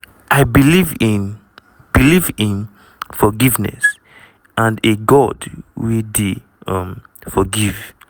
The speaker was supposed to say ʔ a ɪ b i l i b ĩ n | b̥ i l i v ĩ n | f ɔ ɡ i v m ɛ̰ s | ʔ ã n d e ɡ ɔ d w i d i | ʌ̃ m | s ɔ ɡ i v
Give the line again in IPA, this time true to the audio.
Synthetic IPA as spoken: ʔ a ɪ b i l i v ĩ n | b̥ i l i v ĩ n | f ɔ ɡ i v n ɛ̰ s | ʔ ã n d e ɡ ɔ d w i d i | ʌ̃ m | f ɔ ɡ i v